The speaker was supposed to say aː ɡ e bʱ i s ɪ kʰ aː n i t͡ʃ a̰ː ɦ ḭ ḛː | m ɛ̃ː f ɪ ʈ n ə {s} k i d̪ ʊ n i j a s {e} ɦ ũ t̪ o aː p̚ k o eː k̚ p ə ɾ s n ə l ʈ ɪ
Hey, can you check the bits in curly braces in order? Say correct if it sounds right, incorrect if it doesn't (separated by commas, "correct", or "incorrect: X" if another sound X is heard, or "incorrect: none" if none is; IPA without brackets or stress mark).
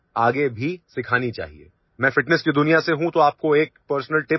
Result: correct, correct